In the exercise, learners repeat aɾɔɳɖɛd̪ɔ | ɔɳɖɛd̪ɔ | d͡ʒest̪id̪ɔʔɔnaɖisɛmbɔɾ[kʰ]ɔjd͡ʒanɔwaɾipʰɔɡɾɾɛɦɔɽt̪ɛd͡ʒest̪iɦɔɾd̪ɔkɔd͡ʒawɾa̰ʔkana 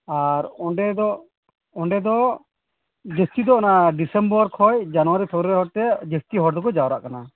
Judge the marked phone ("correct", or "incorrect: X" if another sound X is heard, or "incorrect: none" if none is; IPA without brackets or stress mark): correct